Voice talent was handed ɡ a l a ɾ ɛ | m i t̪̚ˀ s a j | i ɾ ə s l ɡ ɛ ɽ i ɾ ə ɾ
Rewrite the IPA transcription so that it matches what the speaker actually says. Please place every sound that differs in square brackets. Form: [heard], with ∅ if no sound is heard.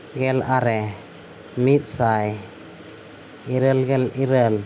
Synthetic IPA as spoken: ɡ [ɛ] l a ɾ ɛ | m i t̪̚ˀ s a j | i ɾ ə [∅] l ɡ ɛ [l] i ɾ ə [l]